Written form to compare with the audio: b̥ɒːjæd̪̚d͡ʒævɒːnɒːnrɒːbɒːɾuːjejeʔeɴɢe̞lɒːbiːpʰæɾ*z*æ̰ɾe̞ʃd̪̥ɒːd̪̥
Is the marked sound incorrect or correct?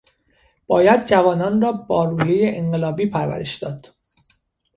incorrect: v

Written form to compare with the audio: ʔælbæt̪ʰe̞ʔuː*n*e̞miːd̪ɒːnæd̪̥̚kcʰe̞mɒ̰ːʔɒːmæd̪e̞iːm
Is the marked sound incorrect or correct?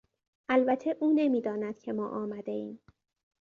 correct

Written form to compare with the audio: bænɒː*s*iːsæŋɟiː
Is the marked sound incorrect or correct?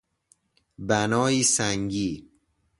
incorrect: none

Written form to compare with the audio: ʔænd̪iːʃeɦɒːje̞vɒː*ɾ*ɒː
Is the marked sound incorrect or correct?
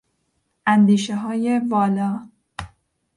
incorrect: l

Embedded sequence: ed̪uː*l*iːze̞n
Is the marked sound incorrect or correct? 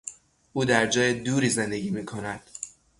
incorrect: ɾ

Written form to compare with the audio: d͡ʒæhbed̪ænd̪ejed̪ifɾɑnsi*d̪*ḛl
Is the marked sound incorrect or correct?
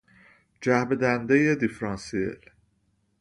incorrect: none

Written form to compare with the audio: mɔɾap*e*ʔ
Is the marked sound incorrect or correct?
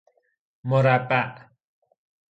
incorrect: a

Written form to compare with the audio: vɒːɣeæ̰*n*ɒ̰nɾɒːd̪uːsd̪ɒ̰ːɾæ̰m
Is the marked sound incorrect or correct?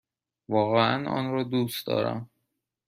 correct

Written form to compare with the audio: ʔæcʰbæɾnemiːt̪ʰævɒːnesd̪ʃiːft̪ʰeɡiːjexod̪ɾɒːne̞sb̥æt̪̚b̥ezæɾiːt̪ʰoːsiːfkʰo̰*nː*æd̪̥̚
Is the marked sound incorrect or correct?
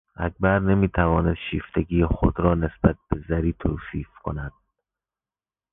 incorrect: n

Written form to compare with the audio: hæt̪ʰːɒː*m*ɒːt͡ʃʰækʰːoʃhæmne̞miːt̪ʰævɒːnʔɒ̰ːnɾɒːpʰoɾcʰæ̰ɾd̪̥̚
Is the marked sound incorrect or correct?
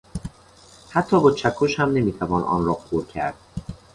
incorrect: b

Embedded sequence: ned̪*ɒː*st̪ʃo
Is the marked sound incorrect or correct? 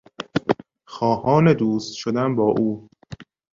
incorrect: uː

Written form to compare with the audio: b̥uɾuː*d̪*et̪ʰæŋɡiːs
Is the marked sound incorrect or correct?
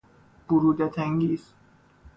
correct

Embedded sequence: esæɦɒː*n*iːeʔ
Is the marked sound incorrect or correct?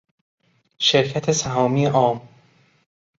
incorrect: m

